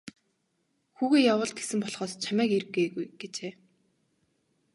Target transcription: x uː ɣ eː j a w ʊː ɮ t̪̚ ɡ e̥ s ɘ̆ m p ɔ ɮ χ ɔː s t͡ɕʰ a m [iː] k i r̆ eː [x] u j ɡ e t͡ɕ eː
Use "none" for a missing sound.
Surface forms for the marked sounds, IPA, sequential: æː, ɣ

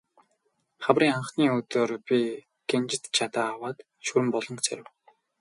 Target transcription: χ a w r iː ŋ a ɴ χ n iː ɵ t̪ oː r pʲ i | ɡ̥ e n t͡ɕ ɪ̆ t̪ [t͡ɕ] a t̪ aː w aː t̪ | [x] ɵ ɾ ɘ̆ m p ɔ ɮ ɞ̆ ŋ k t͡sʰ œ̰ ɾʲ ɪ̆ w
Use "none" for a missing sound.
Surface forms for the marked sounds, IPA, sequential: t͡ɕʰ, ʃ

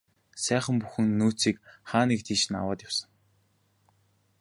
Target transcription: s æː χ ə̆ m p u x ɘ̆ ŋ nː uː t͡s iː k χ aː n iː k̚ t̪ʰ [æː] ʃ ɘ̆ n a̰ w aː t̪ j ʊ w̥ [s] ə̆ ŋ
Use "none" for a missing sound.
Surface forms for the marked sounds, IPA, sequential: iː, s

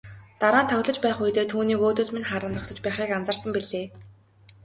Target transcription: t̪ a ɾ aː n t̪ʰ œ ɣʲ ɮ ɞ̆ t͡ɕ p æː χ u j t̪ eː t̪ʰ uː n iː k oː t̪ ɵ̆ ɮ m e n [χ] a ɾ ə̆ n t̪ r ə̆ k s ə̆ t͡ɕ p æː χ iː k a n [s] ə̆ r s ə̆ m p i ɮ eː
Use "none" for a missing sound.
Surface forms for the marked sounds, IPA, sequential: χ, t͡s

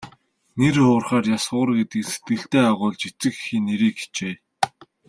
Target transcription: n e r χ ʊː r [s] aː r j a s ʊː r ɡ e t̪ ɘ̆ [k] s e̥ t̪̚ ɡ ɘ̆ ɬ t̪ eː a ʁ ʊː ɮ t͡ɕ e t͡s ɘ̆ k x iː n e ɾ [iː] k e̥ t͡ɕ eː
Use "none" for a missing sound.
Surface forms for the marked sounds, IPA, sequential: χ, k, iː

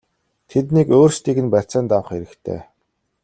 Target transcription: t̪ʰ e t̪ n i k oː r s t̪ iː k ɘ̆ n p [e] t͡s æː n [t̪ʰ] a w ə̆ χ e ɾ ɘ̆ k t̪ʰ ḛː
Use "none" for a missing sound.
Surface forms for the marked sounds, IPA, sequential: æ, t̪

